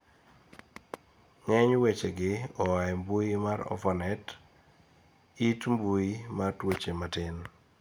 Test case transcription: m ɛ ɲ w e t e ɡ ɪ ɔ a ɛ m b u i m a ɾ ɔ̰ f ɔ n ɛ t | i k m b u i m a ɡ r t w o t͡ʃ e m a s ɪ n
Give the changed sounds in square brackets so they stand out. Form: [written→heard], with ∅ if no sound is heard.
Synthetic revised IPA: [m→ŋ] ɛ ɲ w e [t→t͡ʃ] e ɡ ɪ ɔ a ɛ m b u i m a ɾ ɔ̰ f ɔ n ɛ t | i [k→t] m b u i m a [ɡ→∅] r t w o t͡ʃ e m a [s→t] ɪ n